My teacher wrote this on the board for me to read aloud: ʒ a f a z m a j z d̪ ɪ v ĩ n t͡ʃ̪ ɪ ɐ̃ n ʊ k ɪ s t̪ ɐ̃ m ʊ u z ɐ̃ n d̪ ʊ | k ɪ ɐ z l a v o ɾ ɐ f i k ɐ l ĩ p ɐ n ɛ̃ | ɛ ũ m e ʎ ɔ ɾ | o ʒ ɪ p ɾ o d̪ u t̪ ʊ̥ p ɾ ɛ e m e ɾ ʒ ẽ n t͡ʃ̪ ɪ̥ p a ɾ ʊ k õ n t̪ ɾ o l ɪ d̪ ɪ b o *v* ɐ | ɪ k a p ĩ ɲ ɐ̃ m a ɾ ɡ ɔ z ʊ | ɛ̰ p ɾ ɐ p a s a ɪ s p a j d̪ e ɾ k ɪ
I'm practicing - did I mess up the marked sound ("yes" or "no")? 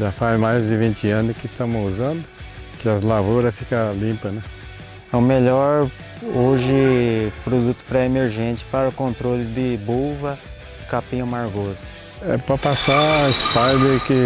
no